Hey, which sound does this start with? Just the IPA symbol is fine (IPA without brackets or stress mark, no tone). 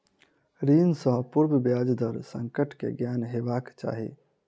ɾ